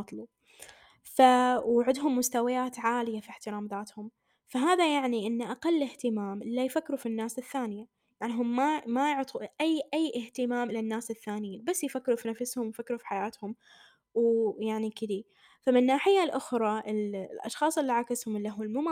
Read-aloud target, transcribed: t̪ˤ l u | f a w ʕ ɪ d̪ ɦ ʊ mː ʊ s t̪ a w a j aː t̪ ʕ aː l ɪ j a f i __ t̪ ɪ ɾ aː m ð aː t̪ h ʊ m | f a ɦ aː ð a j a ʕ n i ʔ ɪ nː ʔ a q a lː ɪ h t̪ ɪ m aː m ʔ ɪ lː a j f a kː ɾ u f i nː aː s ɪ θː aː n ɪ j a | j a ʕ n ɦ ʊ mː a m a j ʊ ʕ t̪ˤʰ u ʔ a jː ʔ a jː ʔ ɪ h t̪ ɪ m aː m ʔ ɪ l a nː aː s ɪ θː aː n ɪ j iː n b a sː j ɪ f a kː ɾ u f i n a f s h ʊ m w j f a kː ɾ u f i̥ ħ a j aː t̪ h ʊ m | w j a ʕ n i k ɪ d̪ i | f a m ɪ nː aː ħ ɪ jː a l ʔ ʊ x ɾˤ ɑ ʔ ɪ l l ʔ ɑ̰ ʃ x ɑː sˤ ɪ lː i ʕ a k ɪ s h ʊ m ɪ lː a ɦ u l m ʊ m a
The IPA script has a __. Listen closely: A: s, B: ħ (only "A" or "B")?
B